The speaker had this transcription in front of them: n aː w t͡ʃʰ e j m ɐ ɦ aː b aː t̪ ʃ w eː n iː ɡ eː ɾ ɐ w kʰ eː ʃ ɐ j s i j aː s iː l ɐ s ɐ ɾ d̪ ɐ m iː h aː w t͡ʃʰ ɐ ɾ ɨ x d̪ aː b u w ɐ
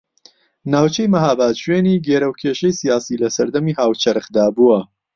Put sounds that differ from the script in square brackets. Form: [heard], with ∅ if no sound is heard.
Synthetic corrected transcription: n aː w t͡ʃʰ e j m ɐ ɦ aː b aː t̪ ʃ w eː n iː ɡ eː ɾ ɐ w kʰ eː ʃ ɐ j s i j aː s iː l ɐ s ɐ ɾ d̪ ɐ m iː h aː w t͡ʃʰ ɐ ɾ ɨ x d̪ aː b u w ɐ